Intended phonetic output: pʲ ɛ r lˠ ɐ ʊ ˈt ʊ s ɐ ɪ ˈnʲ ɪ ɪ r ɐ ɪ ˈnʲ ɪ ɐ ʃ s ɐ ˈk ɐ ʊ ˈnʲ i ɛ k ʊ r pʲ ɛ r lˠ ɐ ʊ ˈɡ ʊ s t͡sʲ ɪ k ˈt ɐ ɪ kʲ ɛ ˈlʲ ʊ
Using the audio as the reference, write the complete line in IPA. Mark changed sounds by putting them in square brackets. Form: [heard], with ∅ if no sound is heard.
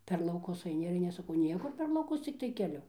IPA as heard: pʲ ɛ r lˠ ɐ ʊ [ˈk] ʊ s ɐ ɪ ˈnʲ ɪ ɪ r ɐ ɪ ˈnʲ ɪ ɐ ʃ s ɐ ˈk ɐ ʊ ˈnʲ i ɛ k ʊ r pʲ ɛ r lˠ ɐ ʊ [ˈk] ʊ s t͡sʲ ɪ k ˈt ɐ ɪ kʲ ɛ ˈlʲ ʊ